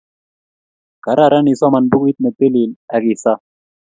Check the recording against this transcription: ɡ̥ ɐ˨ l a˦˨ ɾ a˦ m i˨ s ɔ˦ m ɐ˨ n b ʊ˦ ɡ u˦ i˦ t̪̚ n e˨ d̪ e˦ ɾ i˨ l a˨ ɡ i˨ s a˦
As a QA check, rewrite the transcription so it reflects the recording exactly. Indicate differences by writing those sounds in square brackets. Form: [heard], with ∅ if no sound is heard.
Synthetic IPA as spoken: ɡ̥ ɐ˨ [ɾ] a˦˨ ɾ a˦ [n] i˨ s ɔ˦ m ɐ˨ n b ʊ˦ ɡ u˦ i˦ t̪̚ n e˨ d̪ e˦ [l] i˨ l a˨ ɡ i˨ s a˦